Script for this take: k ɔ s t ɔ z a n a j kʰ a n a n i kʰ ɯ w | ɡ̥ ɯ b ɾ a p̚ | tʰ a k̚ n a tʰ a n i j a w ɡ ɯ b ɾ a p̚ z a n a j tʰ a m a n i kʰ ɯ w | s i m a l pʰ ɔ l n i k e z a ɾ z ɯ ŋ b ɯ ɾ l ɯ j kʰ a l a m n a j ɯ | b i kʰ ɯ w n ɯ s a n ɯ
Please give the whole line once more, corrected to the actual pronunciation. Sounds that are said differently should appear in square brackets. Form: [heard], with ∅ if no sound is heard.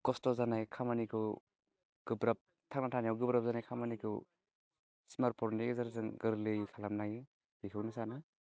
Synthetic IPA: k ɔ s t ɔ z a n a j kʰ a [m] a n i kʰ ɯ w | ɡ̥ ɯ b ɾ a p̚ | tʰ a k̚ n a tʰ a n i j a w ɡ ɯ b ɾ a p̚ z a n a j [kʰ] a m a n i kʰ ɯ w | s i m a [ɾ] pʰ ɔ [ɾ] n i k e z a ɾ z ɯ ŋ [ɡ] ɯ ɾ l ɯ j kʰ a l a m n a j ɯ | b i kʰ ɯ w n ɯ s a n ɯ

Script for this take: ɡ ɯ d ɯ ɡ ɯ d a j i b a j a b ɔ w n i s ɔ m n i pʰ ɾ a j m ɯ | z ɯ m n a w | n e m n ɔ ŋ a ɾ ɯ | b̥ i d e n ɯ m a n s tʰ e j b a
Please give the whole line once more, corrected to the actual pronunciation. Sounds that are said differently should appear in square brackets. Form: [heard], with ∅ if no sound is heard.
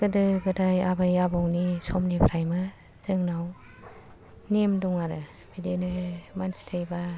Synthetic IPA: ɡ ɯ d ɯ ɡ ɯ d a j [a] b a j a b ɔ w n i s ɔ m n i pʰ ɾ a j m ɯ | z ɯ [ŋ] n a w | n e m [d] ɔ ŋ a ɾ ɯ | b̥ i d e n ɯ m a n s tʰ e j b a

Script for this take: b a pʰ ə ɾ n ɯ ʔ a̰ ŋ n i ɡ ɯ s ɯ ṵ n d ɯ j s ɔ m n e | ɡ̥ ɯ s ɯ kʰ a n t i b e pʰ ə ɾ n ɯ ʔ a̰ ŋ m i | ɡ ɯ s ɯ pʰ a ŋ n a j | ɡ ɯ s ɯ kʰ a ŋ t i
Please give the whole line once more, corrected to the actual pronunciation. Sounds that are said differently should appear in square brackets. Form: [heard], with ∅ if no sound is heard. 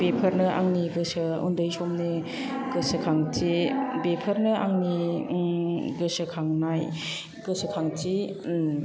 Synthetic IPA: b [e] pʰ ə ɾ n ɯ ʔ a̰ ŋ n i ɡ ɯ s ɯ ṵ n d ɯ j s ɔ m n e | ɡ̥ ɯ s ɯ kʰ a [ŋ] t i b e pʰ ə ɾ n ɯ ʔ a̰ ŋ [n] i | ɡ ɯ s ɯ [kʰ] a ŋ n a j | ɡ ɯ s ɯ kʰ a ŋ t i

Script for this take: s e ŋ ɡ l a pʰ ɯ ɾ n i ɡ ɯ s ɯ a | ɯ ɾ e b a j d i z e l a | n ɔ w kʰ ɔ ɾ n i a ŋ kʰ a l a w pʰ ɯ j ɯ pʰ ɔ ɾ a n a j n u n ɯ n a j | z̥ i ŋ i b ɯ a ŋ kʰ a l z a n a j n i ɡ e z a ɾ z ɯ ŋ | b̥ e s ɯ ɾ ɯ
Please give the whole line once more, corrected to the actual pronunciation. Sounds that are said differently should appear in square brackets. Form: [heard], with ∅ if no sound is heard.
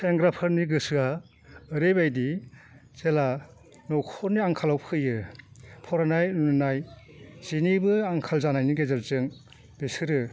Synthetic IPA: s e ŋ ɡ [ɾ] a pʰ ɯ ɾ n i ɡ ɯ s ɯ a | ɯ ɾ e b a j d i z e l a | n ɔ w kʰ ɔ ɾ n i a ŋ kʰ a l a w pʰ ɯ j ɯ pʰ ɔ ɾ a n a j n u n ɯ n a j | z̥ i [n] i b ɯ a ŋ kʰ a l z a n a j n i ɡ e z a ɾ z ɯ ŋ | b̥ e s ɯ ɾ ɯ

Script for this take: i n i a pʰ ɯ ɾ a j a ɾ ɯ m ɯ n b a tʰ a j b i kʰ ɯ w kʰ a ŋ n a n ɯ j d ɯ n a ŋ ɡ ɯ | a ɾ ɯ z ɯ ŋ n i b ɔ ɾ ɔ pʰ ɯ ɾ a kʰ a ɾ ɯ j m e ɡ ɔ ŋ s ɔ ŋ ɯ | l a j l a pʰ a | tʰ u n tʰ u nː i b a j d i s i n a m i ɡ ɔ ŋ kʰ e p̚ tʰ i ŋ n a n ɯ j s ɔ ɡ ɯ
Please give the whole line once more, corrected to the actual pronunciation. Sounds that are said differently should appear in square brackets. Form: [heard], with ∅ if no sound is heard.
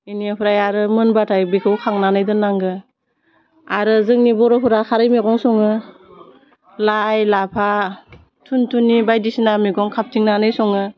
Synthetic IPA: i n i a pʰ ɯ ɾ a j a ɾ ɯ m ɯ n b a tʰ a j b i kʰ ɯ w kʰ a ŋ n a n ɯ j d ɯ n a ŋ ɡ ɯ | a ɾ ɯ z ɯ ŋ n i b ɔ ɾ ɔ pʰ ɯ ɾ a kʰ a ɾ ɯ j m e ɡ ɔ ŋ s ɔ ŋ ɯ | l a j l a pʰ a | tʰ u n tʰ u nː i b a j d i s i n a m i ɡ ɔ ŋ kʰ [a] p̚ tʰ i ŋ n a n ɯ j s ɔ [ŋ] ɯ

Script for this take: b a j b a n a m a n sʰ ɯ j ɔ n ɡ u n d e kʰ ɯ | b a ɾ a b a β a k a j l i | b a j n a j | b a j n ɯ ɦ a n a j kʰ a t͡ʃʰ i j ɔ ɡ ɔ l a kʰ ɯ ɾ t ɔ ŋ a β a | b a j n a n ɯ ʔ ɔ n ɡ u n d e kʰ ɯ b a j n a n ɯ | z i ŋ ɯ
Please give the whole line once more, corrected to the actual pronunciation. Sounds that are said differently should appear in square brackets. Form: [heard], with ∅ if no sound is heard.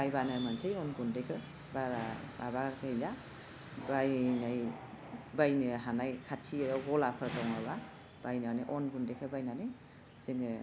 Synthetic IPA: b a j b a n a m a n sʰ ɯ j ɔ n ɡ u n d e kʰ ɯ | b a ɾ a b a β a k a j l [a] | b a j n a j | b a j n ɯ ɦ a n a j kʰ a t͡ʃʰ i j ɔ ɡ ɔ l a [pʰ] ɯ ɾ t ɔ ŋ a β a | b a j n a n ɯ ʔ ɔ n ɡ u n d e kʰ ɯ b a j n a n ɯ | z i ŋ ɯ

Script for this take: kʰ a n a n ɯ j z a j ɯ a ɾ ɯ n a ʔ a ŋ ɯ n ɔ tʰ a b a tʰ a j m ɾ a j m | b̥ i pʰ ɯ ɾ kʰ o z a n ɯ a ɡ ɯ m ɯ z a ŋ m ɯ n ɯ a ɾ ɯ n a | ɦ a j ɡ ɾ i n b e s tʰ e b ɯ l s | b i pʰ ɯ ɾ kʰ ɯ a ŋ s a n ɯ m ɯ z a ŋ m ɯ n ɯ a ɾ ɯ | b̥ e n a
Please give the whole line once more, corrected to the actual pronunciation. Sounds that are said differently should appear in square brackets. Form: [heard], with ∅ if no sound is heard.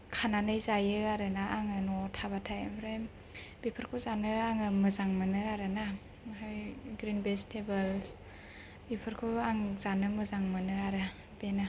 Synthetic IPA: kʰ a n a n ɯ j z a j ɯ a ɾ ɯ n a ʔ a ŋ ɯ n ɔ tʰ a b a tʰ a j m ɾ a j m | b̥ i pʰ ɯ ɾ kʰ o z a n ɯ a [ŋ] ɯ m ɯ z a ŋ m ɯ n ɯ a ɾ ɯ n a | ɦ a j ɡ ɾ i n b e s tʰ e b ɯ l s | b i pʰ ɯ ɾ kʰ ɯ a ŋ [z] a n ɯ m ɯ z a ŋ m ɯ n ɯ a ɾ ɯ | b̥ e n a

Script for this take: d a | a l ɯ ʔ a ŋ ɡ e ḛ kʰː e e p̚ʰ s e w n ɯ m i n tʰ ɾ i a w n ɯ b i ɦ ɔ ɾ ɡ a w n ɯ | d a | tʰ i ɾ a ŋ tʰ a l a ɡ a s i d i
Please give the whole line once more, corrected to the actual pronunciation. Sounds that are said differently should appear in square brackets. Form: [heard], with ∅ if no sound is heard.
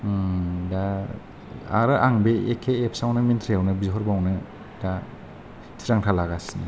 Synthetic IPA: d a | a [ɾ] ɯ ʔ a ŋ [b] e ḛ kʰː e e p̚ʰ s [a] w n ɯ m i n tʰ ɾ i a w n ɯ b i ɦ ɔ ɾ [b] a w n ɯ | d a | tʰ i ɾ a ŋ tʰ a l a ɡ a s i [n] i

